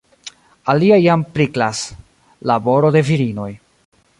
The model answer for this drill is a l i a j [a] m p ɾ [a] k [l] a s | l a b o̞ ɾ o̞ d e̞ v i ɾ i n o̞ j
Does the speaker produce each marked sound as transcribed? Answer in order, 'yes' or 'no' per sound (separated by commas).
yes, no, yes